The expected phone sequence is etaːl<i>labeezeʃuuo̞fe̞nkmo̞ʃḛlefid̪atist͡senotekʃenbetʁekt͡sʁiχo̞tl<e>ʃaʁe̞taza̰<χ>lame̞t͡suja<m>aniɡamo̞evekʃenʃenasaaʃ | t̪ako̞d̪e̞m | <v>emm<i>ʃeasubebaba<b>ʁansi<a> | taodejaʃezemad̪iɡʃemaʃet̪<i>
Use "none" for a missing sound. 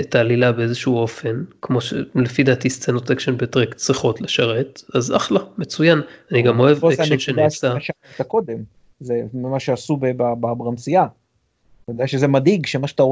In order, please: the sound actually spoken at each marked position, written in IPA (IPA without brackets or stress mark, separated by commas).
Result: i, e, χ, n, z, a, b, a, a